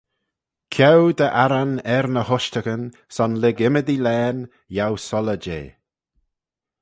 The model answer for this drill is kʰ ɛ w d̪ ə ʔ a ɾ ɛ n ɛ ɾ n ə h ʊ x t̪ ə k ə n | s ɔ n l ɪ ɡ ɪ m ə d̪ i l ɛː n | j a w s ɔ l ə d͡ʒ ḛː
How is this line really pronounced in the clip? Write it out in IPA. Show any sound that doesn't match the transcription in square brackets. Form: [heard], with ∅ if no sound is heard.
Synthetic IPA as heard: kʰ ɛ w d̪ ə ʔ a ɾ [a] n ɛ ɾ n ə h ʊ [ʃ] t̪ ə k ə n | s ɔ n l ɪ ɡ ɪ m ə d̪ i l ɛː n | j a w s ɔ l ə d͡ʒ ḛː